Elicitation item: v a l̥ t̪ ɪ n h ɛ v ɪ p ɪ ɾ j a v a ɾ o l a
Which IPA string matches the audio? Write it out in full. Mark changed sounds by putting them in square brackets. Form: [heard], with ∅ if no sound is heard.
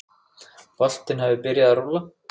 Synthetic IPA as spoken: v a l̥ t̪ ɪ n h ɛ v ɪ p ɪ ɾ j a [ð] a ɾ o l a